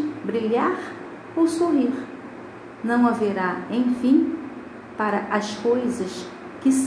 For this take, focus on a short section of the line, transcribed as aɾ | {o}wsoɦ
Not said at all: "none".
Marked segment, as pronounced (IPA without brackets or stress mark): o